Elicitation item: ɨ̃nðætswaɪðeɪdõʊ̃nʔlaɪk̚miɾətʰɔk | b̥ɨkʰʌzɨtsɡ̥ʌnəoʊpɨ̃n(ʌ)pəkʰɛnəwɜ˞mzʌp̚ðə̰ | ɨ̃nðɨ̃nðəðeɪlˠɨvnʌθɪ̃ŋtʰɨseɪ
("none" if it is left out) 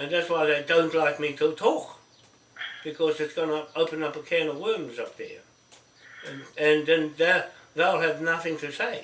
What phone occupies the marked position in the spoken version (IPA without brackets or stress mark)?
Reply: ʌ